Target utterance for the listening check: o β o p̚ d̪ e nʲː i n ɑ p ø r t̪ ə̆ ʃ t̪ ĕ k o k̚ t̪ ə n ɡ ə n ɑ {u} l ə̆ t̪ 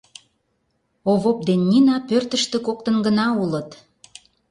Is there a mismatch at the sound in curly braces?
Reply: no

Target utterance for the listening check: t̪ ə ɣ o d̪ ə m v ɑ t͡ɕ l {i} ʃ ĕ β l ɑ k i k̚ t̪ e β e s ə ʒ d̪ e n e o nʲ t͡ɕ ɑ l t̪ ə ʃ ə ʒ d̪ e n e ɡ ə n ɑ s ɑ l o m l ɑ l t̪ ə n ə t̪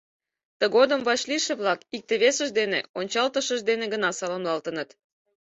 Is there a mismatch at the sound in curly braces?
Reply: no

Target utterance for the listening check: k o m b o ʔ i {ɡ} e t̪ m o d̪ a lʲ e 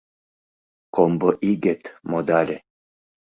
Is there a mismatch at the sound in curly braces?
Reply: no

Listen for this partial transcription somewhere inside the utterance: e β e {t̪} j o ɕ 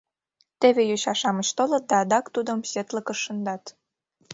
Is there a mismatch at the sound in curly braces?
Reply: yes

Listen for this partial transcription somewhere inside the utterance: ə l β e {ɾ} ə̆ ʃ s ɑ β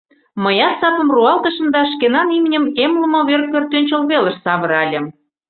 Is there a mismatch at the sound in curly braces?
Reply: yes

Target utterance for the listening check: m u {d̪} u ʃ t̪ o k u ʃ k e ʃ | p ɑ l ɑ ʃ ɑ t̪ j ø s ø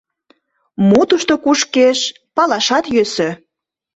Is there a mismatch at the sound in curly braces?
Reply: yes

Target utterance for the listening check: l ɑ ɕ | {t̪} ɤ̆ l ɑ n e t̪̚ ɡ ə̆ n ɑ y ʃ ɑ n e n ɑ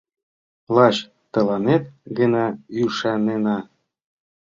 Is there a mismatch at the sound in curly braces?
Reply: no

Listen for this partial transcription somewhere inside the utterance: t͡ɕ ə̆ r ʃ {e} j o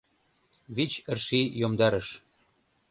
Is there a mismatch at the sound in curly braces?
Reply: yes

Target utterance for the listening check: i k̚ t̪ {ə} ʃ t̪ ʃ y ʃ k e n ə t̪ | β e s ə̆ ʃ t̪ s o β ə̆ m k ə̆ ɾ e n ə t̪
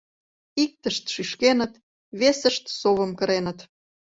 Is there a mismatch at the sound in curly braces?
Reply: no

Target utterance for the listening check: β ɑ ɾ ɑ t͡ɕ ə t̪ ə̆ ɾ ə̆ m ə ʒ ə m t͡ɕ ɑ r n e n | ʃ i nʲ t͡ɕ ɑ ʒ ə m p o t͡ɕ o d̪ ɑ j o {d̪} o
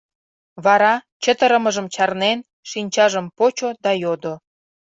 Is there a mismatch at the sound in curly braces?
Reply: no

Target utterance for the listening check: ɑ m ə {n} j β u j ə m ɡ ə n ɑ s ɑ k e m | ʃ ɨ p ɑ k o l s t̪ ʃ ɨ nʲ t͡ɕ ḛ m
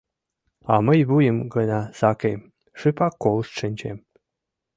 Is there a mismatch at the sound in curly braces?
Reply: yes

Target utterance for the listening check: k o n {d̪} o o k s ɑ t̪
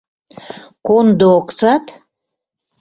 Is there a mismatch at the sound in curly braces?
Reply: no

